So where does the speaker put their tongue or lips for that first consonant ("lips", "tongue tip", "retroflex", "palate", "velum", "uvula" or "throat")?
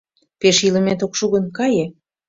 lips